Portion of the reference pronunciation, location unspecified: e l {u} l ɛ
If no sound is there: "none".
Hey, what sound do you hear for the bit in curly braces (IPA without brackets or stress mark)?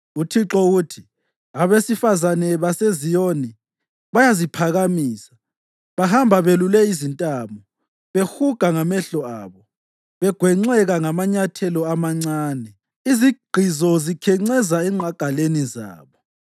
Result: u